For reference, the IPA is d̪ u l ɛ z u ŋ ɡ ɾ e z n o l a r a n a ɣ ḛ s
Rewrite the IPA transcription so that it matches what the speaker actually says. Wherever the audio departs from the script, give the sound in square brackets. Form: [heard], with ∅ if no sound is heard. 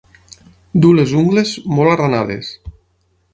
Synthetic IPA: d̪ u l [e] z u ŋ ɡ [l] e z [m] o l a r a n a [ð] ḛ s